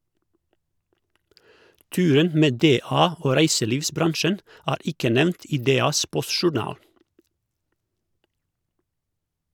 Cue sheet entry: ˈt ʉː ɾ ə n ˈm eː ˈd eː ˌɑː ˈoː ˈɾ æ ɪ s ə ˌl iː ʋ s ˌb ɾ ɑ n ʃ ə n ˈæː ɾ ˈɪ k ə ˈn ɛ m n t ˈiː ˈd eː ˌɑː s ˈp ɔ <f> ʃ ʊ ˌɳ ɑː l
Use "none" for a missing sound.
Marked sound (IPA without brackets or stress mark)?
s